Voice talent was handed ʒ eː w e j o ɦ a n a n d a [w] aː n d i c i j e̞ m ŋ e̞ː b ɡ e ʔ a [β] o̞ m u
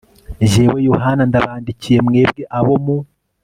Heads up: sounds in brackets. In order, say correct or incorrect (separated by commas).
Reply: incorrect, correct